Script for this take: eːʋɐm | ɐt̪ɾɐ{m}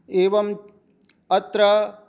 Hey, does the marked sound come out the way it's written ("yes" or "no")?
no